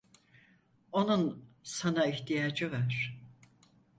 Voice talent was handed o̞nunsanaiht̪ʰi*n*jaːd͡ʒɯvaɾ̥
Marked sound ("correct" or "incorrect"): incorrect